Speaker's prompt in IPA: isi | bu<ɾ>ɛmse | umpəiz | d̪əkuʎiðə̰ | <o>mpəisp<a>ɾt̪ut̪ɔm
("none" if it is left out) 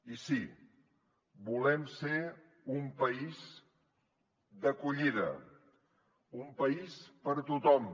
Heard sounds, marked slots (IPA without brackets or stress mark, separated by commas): l, u, ə